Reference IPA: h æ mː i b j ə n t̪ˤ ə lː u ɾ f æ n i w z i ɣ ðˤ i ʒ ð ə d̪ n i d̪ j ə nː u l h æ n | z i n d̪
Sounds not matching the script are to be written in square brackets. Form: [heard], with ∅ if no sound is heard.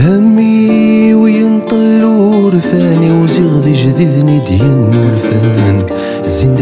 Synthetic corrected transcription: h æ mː i [w] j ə n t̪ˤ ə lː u ɾ f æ n i w z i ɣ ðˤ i ʒ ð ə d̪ n i d̪ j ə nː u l [f] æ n | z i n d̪